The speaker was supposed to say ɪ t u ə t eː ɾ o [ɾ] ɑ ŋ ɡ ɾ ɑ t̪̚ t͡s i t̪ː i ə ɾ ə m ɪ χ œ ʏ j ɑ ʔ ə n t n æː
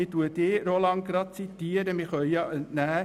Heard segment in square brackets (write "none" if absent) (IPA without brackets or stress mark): l